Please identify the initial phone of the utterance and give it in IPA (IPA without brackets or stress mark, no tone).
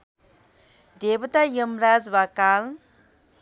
d̪